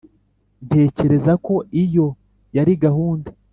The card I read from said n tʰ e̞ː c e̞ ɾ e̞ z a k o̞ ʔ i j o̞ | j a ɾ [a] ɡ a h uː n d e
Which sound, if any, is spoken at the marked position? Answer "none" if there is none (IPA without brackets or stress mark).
i